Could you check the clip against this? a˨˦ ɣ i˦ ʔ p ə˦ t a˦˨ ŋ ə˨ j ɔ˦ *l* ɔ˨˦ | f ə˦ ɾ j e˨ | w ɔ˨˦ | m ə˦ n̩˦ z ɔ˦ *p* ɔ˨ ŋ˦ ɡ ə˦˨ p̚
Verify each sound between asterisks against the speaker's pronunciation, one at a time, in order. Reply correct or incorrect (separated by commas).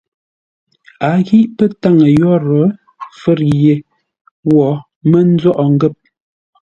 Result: incorrect, incorrect